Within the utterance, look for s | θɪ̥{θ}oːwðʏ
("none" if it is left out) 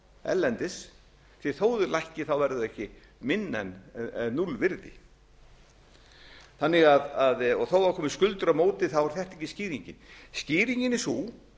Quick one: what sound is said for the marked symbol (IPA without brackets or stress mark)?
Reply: θ